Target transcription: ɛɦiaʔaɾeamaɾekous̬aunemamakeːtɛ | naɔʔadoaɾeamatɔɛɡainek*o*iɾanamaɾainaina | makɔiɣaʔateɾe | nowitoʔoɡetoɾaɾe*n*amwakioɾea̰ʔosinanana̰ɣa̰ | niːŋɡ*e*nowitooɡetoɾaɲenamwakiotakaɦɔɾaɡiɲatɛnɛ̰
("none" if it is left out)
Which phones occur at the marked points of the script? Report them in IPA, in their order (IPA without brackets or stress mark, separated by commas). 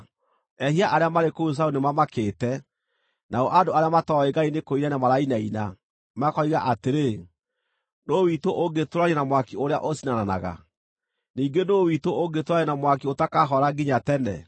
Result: o, n, e